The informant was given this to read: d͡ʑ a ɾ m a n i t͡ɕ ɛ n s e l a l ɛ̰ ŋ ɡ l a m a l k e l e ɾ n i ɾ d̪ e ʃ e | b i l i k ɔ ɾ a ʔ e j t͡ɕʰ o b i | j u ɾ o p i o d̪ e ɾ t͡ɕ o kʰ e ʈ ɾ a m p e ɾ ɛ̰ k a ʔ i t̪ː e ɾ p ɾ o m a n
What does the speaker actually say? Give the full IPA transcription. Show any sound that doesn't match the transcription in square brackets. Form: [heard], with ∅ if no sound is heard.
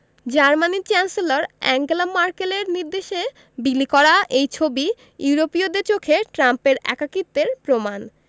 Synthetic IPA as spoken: d͡ʑ a ɾ m a n i t͡ɕ ɛ n s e l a [ɾ] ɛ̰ ŋ ɡ l a m a [ɾ] k e l e ɾ n i ɾ d̪ e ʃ e | b i l i k ɔ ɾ a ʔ e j t͡ɕʰ o b i | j u ɾ o p i o d̪ e ɾ t͡ɕ o kʰ e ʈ ɾ a m p e ɾ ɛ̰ k a [k] i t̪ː e ɾ p ɾ o m a n